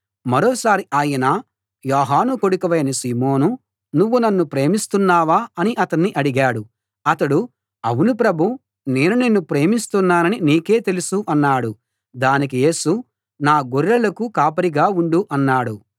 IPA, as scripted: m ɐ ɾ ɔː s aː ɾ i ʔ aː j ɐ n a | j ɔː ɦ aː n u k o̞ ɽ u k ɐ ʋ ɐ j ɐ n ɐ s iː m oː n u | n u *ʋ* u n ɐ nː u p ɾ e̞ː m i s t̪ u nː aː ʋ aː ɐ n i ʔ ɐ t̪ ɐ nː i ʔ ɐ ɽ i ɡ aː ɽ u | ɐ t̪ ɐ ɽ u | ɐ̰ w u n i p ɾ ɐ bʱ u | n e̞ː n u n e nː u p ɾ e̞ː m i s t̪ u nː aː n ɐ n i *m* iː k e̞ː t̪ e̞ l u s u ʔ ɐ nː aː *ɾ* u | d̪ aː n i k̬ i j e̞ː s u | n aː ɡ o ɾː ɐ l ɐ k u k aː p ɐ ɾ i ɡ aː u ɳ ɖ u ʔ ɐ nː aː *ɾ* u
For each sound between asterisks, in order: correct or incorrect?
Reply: incorrect, incorrect, incorrect, incorrect

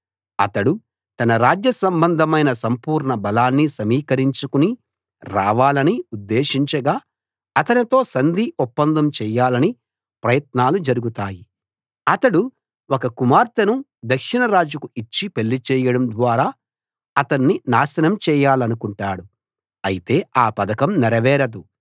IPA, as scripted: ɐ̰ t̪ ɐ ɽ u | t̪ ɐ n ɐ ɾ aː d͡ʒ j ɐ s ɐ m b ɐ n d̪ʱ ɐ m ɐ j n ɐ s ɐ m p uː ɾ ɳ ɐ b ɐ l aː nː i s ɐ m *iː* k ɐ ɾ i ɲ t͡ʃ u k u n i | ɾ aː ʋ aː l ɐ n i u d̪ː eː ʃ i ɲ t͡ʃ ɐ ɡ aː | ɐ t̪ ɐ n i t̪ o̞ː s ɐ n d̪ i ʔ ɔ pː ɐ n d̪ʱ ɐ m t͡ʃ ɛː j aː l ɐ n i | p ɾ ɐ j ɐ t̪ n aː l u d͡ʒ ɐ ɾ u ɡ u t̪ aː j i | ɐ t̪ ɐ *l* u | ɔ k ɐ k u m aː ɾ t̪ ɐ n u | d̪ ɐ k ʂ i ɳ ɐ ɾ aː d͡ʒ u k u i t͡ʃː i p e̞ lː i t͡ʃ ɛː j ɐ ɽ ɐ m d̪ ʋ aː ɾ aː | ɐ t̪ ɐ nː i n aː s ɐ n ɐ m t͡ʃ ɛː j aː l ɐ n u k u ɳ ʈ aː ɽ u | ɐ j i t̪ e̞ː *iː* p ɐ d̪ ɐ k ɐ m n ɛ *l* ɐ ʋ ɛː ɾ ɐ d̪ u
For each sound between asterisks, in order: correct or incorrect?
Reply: correct, incorrect, incorrect, incorrect

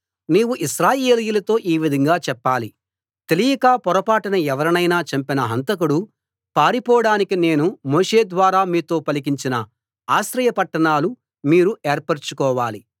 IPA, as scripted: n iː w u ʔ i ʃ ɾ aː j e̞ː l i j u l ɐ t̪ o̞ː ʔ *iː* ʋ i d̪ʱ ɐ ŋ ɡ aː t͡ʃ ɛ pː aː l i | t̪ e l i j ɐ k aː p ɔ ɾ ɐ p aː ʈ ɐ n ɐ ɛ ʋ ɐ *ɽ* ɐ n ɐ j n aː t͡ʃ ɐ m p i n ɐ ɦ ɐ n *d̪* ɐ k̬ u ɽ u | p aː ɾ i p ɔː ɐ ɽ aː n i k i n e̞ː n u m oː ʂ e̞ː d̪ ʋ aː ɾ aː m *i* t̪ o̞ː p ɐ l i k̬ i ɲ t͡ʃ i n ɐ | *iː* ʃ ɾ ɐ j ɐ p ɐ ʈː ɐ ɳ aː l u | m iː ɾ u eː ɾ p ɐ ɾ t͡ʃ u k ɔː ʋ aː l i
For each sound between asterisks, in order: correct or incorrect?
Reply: correct, incorrect, incorrect, incorrect, incorrect

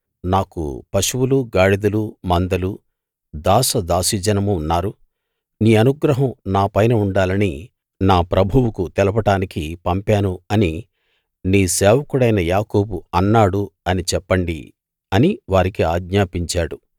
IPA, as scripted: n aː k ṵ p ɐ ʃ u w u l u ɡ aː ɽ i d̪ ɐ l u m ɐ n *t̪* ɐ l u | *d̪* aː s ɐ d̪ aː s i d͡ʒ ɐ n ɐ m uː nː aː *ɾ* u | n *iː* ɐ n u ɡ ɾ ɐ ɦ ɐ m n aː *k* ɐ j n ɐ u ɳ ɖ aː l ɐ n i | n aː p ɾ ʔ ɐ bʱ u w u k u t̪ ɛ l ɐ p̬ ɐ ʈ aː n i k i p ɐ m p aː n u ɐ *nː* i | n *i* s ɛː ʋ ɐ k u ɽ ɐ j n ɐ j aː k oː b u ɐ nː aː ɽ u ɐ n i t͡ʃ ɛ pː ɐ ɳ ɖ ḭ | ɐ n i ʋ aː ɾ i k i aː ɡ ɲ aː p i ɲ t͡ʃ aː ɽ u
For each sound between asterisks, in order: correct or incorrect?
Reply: incorrect, correct, correct, correct, incorrect, incorrect, incorrect

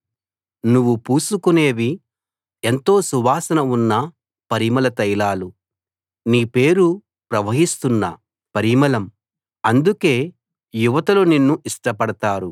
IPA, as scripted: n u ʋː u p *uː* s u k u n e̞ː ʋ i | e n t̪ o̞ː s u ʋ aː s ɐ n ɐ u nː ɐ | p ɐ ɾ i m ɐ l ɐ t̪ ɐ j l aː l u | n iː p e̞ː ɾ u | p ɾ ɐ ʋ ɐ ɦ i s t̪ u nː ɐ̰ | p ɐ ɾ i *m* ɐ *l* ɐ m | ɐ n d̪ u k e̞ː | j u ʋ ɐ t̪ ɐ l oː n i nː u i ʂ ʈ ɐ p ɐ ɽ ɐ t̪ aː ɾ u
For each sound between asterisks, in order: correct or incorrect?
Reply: correct, correct, correct

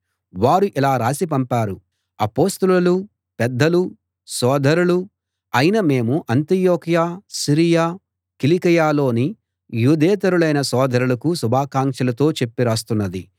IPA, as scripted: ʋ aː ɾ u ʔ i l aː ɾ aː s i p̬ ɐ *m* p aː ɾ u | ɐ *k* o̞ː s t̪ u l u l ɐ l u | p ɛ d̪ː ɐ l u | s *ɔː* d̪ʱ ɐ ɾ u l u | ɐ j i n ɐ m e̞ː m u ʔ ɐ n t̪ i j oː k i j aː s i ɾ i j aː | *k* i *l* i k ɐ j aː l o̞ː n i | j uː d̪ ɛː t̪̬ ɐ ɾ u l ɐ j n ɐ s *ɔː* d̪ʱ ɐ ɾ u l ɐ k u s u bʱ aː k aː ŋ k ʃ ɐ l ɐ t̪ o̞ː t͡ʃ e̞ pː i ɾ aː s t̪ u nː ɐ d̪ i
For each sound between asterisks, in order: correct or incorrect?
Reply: correct, incorrect, correct, correct, correct, correct

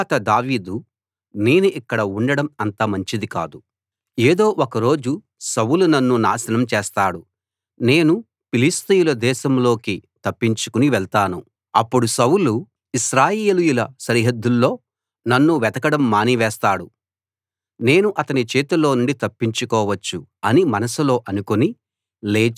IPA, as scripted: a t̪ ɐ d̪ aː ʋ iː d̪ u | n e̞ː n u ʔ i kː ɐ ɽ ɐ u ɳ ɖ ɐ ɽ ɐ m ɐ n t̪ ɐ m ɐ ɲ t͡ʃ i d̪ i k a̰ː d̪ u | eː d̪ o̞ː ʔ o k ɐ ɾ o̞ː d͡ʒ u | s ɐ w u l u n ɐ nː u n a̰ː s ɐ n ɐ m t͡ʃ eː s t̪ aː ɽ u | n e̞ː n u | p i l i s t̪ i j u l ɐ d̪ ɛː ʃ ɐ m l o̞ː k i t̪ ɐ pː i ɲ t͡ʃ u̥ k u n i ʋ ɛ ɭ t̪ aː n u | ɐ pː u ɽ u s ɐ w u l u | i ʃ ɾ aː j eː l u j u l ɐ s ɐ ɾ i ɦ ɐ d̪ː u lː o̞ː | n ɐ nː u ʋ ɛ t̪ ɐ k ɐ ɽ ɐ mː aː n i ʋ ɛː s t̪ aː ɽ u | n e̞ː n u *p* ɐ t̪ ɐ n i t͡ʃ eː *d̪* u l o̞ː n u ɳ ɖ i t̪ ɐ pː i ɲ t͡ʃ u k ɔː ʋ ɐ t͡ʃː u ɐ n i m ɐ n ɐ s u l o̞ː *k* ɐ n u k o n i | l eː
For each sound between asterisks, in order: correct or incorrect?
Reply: incorrect, incorrect, incorrect

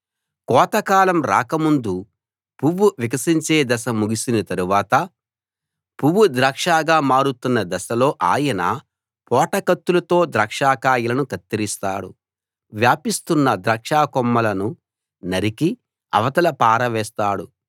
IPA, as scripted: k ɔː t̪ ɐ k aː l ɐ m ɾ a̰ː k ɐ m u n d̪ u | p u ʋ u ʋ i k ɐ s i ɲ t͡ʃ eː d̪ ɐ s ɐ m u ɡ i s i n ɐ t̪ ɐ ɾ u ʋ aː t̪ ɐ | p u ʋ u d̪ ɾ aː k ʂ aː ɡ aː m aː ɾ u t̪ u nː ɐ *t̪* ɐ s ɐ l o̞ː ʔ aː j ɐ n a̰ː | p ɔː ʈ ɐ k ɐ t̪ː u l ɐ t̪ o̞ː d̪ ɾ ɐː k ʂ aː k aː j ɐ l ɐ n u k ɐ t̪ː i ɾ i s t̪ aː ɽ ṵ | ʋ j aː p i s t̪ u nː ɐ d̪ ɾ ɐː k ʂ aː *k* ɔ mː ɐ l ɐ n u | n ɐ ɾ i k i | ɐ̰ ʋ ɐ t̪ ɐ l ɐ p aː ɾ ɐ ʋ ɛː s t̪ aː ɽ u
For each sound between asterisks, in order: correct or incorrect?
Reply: incorrect, correct

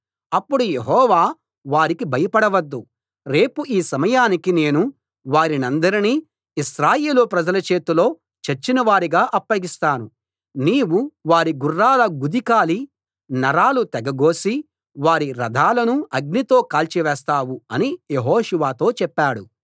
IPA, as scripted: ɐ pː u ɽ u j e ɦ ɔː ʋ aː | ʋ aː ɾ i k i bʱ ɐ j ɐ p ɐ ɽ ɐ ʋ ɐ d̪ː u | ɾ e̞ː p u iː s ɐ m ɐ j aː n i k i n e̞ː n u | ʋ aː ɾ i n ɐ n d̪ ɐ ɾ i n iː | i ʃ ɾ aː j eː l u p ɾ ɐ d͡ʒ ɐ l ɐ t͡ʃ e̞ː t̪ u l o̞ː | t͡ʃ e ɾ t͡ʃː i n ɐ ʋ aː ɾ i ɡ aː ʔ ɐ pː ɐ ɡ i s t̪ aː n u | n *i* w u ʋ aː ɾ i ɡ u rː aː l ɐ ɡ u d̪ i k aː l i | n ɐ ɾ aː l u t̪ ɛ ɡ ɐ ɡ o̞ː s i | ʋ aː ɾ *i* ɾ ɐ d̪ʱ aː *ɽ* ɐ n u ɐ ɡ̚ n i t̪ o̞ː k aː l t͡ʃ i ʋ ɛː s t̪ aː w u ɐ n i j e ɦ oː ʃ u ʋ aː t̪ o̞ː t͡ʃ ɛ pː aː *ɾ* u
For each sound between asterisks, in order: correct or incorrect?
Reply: incorrect, correct, incorrect, incorrect

